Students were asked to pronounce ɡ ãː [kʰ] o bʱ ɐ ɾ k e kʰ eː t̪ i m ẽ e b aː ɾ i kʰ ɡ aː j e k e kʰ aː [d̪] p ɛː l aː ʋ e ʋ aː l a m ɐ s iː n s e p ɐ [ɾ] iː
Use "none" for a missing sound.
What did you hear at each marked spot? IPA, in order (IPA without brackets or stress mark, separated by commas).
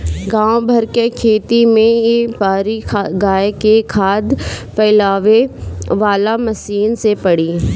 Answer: none, d̪, ɽ